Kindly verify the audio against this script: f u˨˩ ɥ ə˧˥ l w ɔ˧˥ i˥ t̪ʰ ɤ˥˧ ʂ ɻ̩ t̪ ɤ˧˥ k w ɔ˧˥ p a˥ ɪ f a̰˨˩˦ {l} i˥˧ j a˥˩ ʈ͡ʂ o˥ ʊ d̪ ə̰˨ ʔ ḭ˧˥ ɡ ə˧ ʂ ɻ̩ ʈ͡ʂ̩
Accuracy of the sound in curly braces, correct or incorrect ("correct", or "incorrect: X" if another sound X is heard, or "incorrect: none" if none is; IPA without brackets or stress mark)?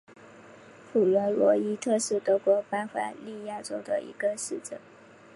correct